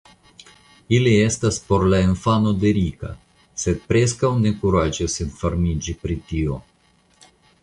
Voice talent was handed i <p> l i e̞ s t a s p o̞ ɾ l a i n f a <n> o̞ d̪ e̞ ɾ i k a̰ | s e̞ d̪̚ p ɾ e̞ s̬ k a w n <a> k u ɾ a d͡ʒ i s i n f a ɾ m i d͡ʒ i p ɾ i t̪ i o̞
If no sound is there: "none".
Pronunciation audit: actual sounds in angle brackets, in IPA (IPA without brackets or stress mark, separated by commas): none, n, e